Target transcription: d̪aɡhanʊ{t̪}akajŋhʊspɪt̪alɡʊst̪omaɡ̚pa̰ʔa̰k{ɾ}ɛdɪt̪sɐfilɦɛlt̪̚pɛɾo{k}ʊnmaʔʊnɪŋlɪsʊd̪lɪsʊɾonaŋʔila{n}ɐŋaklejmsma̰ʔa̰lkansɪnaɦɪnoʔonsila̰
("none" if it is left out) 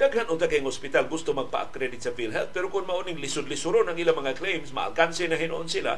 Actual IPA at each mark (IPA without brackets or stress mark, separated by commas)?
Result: t̪, ɾ, k, m